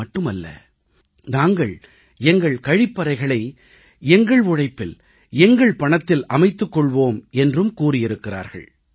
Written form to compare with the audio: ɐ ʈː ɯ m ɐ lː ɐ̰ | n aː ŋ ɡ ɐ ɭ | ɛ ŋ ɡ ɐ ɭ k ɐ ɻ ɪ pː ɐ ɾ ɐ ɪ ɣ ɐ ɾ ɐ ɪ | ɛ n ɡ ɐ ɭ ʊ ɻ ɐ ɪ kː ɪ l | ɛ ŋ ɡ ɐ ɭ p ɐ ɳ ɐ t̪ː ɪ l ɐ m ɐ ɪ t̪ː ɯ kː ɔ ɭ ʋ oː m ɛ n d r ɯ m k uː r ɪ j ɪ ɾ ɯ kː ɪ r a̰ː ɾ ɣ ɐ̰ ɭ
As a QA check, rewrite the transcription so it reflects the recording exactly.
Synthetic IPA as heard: ɐ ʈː ɯ m ɐ lː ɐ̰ | n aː ŋ ɡ ɐ ɭ | ɛ ŋ ɡ ɐ ɭ k ɐ ɻ ɪ pː ɐ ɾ ɐ ɪ ɣ ɐ ɭ ɐ ɪ | ɛ ŋ ɡ ɐ ɭ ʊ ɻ ɐ ɪ pː ɪ l | ɛ ŋ ɡ ɐ ɭ p ɐ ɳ ɐ t̪ː ɪ l ɐ m ɐ ɪ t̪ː ɯ kː ɔ ɭ ʋ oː m ɛ n d r ɯ m k uː r ɪ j ɪ ɾ ɯ kː ɪ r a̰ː ɾ ɣ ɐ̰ ɭ